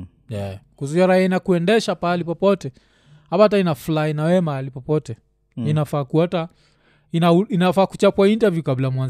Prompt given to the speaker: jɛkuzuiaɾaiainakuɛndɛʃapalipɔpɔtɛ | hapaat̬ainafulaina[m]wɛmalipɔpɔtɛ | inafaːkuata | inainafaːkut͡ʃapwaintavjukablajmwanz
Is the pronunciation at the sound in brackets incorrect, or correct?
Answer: incorrect